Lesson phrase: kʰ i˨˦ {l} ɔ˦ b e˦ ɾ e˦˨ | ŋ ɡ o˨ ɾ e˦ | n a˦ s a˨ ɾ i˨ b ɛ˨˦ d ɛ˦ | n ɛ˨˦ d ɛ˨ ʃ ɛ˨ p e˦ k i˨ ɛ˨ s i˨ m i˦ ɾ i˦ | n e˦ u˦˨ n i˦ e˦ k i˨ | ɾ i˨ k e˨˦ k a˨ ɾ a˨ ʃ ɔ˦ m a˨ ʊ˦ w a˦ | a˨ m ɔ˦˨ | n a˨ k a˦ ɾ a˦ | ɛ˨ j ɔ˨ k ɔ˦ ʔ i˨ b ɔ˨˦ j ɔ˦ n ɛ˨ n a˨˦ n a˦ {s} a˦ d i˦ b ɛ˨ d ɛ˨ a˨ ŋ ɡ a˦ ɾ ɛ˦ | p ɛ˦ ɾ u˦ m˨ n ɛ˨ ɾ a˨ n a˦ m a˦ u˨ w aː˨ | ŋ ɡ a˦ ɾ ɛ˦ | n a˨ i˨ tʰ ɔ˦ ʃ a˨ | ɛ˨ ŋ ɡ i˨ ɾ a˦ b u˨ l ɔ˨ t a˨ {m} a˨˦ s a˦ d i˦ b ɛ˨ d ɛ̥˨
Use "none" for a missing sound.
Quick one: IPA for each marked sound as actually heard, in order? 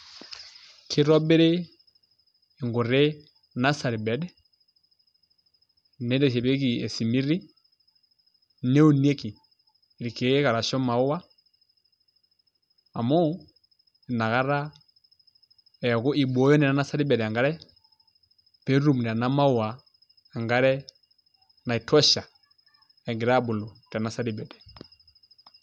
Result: ɾ, s, n

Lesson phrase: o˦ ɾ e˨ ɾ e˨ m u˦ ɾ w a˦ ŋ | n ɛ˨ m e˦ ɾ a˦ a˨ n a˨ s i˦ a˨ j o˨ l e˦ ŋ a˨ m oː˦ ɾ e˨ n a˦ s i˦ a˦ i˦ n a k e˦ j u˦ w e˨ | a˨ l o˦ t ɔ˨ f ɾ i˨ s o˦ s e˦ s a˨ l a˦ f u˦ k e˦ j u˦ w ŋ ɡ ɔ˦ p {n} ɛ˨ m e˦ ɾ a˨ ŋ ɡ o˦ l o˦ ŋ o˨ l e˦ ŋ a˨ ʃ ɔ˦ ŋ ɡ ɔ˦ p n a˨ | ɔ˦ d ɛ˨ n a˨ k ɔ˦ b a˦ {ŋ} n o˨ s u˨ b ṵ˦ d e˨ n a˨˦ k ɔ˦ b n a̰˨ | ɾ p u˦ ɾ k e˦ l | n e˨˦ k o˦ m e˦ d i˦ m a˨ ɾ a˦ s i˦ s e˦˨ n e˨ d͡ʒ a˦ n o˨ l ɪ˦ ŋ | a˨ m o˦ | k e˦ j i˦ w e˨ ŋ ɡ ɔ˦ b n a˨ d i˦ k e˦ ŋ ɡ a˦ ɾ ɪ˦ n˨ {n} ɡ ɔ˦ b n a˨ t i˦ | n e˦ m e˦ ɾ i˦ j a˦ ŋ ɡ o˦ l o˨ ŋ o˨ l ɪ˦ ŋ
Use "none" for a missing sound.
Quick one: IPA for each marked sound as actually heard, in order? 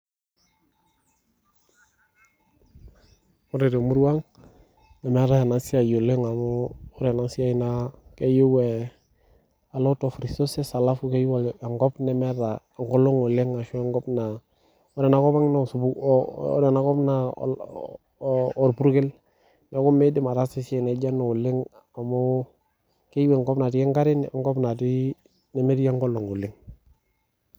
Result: n, ŋ, ŋ

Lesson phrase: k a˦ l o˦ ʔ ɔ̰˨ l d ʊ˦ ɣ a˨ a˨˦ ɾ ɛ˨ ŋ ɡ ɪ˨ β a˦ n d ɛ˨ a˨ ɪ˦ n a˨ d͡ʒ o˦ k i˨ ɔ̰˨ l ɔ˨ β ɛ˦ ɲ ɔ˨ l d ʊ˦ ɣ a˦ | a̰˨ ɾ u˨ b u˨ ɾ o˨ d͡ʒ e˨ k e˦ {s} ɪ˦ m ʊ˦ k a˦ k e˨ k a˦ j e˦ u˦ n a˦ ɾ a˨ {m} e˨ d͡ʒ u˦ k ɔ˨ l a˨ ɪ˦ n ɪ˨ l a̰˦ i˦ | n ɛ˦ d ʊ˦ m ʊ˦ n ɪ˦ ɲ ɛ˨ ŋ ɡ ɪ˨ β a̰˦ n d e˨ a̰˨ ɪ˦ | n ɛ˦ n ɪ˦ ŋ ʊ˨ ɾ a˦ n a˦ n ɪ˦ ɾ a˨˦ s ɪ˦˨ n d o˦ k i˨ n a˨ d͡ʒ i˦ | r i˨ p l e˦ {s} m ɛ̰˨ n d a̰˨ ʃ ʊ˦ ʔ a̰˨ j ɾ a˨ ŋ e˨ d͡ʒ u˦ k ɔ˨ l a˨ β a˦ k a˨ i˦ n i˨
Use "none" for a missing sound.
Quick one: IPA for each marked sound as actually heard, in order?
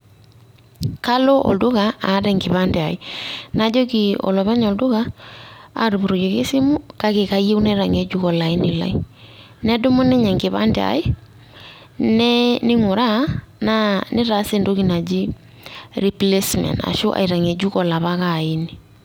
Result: s, ŋ, s

